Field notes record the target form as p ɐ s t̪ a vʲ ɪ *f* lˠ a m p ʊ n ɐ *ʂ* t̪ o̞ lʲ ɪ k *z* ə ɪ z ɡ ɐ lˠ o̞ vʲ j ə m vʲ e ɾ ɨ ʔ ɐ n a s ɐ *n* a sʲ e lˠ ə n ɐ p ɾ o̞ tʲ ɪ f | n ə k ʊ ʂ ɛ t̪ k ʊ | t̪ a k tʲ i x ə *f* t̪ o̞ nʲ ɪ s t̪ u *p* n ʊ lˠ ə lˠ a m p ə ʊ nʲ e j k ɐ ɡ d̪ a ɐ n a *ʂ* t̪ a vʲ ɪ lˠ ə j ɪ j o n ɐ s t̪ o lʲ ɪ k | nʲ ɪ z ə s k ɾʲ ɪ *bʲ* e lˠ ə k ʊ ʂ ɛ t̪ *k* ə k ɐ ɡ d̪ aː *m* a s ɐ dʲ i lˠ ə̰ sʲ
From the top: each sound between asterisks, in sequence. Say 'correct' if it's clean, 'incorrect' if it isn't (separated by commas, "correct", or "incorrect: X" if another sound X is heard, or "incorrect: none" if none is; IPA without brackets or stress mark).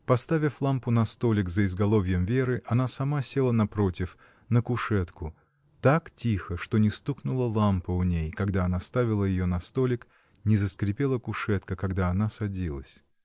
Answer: correct, incorrect: s, correct, incorrect: m, incorrect: ʂ, incorrect: k, incorrect: s, incorrect: pʲ, correct, incorrect: n